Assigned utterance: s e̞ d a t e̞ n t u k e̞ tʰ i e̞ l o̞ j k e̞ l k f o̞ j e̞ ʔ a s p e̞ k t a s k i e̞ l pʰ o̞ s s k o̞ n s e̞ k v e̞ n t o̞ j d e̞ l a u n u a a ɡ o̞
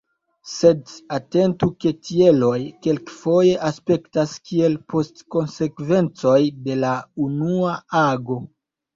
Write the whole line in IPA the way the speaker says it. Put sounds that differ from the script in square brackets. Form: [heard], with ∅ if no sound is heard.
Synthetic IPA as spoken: s e̞ d a t e̞ n t u k e̞ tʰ i e̞ l o̞ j k e̞ l k f o̞ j e̞ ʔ a s p e̞ k t a s k i e̞ l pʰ o̞ s [t] k o̞ n s e̞ k v e̞ n [t͡s] o̞ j d e̞ l a u n u a a ɡ o̞